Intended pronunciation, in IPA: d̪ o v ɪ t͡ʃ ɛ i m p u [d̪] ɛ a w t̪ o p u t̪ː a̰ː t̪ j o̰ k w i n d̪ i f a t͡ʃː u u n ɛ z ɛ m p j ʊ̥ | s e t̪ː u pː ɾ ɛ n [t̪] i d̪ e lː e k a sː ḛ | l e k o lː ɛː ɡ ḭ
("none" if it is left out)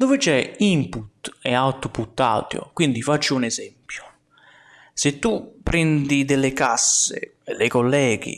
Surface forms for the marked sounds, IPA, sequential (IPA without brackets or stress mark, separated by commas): t̪, d̪